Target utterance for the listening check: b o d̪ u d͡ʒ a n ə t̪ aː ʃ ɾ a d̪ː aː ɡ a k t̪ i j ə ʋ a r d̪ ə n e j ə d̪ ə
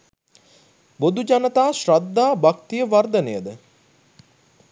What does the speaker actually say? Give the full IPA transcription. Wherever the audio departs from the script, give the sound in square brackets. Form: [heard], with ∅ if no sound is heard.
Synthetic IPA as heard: b o d̪ u d͡ʒ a n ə t̪ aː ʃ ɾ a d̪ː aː [b] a k t̪ i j ə ʋ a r d̪ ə n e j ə d̪ ə